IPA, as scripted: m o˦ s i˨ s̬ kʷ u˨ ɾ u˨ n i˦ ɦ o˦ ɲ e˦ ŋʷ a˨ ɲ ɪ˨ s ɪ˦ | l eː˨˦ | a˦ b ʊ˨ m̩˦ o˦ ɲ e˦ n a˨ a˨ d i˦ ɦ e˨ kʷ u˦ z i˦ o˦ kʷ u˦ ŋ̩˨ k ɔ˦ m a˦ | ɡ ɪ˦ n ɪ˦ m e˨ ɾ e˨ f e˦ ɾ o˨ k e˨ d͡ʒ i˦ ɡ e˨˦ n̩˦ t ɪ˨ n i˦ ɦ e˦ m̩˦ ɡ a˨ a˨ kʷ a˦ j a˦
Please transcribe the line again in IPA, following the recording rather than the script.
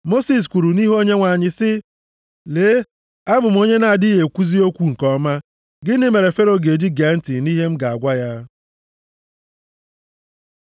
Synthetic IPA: m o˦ s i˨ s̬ kʷ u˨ ɾ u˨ n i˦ ɦ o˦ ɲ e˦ ŋʷ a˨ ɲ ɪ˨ s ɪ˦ | l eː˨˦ | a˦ b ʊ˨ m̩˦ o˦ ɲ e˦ n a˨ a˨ d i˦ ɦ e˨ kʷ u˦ z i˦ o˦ kʷ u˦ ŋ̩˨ k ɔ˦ m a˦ | ɡ ɪ˦ n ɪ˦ m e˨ ɾ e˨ f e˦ ɾ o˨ ɡ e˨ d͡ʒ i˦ ɡ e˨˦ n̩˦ t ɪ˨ n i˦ ɦ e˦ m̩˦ ɡ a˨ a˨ ɡʷ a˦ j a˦